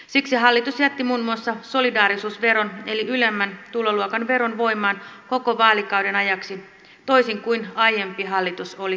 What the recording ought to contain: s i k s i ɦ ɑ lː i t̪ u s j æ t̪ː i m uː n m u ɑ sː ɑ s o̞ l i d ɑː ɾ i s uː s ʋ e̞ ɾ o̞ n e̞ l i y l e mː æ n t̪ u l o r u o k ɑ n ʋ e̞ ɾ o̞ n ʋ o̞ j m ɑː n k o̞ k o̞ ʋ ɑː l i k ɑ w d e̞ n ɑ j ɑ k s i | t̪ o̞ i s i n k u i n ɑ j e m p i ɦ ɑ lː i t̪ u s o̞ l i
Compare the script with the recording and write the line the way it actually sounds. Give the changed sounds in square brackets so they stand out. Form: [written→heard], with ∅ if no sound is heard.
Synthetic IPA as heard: s i k s i ɦ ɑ lː i t̪ u s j æ t̪ː i m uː n m u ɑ sː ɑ s o̞ l i d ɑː ɾ i s uː s ʋ e̞ ɾ o̞ n e̞ l i y l e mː æ n t̪ u l o [r→l] u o k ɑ n ʋ e̞ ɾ o̞ n ʋ o̞ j m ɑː n k o̞ k o̞ ʋ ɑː l i k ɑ w d e̞ n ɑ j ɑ k s i | t̪ o̞ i s i [n→ŋ] k u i n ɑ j e m p i ɦ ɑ lː i t̪ u s o̞ l i